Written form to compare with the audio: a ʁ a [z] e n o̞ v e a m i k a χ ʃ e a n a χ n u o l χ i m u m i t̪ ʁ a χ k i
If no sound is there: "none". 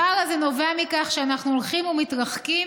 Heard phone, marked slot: z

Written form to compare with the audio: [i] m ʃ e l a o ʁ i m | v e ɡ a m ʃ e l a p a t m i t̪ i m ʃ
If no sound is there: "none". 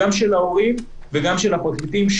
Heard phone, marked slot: a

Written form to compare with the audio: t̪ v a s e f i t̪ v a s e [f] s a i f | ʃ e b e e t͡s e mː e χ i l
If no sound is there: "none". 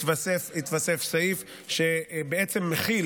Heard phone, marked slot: f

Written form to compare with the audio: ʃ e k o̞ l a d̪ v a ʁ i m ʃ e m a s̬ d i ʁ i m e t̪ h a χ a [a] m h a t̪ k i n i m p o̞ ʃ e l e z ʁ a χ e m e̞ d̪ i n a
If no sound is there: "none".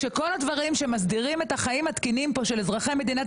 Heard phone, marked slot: i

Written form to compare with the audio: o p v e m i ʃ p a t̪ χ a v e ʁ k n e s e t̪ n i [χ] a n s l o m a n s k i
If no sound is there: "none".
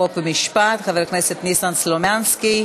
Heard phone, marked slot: s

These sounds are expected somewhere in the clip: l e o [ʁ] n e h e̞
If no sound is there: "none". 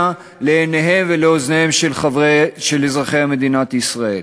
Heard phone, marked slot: z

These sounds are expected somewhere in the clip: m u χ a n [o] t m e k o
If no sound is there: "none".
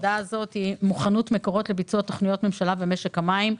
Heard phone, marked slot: u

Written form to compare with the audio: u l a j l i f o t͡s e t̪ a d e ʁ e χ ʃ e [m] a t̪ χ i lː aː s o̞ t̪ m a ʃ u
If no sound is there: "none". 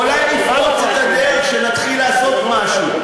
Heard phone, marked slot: n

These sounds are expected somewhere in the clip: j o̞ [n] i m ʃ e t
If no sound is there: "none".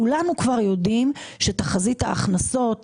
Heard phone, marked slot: d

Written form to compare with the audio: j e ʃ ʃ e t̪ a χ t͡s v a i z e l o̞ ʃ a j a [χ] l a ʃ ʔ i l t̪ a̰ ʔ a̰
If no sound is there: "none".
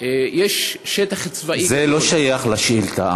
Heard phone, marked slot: χ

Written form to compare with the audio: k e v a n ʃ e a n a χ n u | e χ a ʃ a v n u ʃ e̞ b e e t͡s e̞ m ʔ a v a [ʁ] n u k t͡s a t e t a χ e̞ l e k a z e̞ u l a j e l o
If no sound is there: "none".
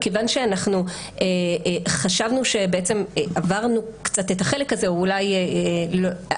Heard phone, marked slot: ʁ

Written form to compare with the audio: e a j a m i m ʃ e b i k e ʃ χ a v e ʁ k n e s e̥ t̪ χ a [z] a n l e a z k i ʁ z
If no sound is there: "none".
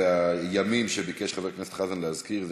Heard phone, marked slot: z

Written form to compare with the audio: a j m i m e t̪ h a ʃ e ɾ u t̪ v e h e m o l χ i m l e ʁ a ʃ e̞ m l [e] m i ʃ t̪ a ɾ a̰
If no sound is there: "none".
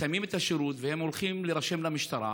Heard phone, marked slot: a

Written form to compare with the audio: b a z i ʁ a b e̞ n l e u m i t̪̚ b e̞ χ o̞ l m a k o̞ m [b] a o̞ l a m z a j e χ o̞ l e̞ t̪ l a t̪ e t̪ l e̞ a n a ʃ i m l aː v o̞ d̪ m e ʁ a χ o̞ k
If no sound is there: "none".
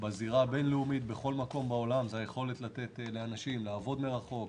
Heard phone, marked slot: b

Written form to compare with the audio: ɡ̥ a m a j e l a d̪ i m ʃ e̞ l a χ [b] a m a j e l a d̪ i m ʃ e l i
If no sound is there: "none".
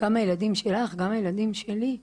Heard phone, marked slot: ɡ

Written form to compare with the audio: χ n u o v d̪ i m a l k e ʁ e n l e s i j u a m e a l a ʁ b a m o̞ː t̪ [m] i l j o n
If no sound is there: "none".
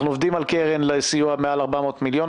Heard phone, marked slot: m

